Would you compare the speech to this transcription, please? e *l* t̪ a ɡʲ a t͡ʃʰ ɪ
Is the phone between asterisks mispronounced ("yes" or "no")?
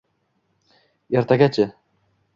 yes